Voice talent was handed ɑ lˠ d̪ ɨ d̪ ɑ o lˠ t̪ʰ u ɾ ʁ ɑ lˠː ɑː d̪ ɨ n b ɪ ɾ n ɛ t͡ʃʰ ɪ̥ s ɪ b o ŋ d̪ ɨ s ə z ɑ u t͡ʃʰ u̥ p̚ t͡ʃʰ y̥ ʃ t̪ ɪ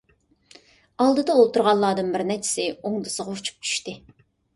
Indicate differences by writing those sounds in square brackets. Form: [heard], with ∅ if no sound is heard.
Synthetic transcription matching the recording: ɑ lˠ d̪ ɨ d̪ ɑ o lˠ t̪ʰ u ɾ ʁ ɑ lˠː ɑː d̪ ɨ n b ɪ ɾ n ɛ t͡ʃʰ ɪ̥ s ɪ [∅] o ŋ d̪ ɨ s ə [ʁ] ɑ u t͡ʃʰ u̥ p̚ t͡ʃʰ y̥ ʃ t̪ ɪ